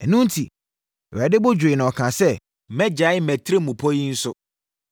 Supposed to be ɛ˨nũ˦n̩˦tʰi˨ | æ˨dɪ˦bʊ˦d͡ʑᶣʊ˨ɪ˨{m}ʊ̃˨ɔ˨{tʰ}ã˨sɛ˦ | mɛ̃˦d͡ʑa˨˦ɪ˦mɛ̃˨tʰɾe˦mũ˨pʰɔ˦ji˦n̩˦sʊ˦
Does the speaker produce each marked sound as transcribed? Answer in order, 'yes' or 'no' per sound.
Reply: no, no

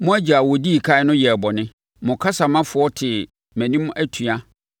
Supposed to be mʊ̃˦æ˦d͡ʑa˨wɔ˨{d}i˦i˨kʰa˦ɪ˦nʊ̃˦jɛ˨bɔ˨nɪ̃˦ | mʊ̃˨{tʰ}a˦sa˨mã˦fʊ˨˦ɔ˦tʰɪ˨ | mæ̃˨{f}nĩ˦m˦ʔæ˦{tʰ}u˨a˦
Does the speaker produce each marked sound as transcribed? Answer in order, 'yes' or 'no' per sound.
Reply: yes, no, no, yes

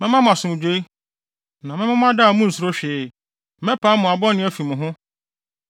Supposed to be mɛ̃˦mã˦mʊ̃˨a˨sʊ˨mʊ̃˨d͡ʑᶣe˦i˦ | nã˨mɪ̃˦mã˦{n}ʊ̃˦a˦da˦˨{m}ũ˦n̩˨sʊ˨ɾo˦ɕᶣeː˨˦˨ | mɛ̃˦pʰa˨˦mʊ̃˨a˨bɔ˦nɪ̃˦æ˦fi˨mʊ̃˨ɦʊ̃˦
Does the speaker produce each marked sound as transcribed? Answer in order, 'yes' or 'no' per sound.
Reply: no, yes

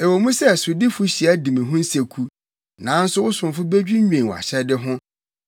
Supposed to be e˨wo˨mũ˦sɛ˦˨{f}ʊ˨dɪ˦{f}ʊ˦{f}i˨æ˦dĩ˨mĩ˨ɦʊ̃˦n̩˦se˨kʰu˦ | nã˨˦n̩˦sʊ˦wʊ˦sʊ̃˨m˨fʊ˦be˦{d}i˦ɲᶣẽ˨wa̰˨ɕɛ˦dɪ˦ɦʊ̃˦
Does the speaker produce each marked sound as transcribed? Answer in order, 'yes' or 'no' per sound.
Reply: no, yes, no, no

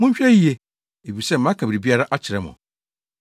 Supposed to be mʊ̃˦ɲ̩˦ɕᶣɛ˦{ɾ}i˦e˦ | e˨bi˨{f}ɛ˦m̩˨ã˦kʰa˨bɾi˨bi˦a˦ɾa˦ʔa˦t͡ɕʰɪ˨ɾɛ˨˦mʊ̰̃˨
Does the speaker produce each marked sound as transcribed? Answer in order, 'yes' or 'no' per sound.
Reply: no, no

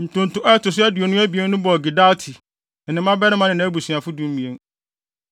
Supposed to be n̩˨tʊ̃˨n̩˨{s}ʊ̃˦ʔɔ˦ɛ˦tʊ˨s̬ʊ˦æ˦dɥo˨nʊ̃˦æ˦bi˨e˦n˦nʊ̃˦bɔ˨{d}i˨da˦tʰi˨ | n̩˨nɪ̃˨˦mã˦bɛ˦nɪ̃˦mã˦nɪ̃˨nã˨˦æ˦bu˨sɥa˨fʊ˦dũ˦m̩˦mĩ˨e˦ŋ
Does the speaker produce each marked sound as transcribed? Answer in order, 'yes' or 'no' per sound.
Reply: no, no

